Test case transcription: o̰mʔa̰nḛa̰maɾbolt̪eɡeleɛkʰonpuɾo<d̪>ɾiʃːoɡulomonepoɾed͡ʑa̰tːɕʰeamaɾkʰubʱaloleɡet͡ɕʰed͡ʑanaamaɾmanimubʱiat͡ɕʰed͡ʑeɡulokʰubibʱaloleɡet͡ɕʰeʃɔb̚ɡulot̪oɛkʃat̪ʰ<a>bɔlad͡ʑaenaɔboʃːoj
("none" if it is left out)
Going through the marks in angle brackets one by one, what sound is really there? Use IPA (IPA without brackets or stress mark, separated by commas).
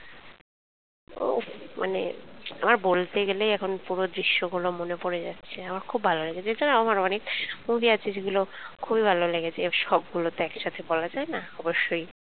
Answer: d̪, e